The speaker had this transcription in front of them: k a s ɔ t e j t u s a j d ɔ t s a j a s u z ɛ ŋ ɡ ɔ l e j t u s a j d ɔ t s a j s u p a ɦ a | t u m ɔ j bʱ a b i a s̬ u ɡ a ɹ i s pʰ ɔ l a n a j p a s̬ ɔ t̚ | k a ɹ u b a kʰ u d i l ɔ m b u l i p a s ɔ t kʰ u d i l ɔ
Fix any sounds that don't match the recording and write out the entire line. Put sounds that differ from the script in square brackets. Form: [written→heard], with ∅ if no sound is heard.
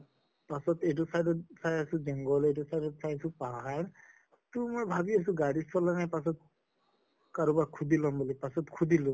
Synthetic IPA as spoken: [k→p] a s ɔ t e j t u s a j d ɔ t s a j a s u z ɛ ŋ ɡ ɔ l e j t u s a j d ɔ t s a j s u p a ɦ a | t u m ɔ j bʱ a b i a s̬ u ɡ a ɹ i s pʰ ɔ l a n a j p a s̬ ɔ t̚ | k a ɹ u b a kʰ u d i l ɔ m b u l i p a s ɔ t kʰ u d i l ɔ